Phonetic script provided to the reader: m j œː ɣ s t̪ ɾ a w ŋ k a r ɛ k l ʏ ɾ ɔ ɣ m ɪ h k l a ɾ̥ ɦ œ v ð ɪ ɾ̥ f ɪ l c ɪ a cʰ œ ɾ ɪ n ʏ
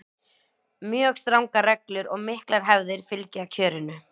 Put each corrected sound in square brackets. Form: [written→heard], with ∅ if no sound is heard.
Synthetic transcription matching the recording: m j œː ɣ s t̪ ɾ a w ŋ k a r ɛ k l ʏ ɾ ɔ ɣ m ɪ h k l a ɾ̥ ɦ [œ→ɛ] v ð ɪ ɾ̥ f ɪ l c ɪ a cʰ [œ→œː] ɾ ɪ n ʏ